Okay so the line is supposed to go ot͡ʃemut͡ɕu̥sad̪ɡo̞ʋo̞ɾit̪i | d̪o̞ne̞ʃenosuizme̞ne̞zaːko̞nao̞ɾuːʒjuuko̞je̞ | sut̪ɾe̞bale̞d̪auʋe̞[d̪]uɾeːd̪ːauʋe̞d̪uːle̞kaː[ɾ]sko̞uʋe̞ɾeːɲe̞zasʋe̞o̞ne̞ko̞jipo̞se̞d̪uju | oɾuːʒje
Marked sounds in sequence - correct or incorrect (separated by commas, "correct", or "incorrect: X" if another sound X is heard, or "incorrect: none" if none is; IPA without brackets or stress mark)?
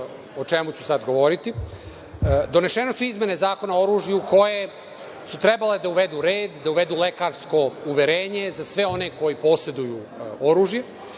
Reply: correct, correct